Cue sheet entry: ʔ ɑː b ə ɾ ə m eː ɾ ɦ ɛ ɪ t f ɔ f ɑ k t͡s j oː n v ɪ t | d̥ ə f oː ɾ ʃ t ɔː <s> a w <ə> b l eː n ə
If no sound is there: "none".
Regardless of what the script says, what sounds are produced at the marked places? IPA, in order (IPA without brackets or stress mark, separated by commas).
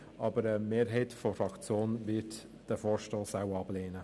s, ɑ